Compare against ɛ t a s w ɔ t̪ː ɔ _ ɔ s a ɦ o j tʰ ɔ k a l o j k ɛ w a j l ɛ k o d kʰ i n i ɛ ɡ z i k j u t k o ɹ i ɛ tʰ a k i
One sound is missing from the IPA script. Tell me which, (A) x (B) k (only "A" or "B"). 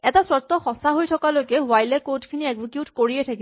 A